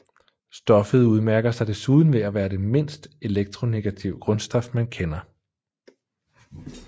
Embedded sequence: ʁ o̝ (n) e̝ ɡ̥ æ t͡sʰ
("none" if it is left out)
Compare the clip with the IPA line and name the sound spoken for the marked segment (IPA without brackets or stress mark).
n